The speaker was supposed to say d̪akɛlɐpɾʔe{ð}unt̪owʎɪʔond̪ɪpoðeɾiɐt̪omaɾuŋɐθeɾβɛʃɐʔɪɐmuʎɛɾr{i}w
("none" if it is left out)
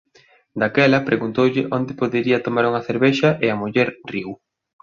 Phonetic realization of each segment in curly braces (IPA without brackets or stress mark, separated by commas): ɣ, i